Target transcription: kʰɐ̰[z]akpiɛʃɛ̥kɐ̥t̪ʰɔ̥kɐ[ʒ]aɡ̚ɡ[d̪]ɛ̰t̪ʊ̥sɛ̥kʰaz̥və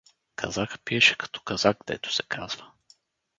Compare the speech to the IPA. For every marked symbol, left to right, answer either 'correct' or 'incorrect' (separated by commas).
correct, incorrect, correct